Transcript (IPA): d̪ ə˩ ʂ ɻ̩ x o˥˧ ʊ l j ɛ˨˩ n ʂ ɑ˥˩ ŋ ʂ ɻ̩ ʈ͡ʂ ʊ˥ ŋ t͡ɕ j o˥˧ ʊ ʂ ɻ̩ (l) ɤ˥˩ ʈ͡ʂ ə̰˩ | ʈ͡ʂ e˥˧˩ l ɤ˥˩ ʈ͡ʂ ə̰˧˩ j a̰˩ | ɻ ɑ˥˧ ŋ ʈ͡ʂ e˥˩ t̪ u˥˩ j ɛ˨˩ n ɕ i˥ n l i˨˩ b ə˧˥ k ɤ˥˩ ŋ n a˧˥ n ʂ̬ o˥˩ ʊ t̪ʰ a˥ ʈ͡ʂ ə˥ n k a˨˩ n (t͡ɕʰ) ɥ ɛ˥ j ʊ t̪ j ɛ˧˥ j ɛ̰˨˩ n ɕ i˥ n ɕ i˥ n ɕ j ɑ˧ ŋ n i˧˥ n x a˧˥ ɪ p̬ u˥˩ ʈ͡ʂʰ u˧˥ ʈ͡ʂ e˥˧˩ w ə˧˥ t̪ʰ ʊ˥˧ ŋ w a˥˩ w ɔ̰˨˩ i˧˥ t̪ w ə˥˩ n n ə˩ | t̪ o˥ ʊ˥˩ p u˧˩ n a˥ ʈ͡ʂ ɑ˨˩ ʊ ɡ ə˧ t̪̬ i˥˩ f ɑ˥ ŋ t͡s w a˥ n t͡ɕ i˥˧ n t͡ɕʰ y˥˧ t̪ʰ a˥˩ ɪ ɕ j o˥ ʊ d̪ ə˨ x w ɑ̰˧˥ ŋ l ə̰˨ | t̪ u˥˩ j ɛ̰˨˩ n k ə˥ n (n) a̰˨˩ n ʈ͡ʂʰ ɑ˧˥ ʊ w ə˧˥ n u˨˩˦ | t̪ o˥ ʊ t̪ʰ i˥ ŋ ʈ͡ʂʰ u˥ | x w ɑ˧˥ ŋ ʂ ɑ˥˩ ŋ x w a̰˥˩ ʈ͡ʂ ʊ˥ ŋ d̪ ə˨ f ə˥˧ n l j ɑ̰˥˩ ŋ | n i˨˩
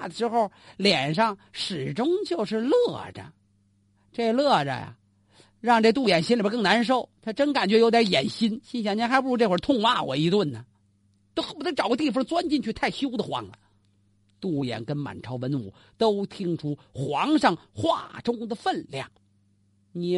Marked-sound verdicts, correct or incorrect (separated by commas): correct, incorrect, incorrect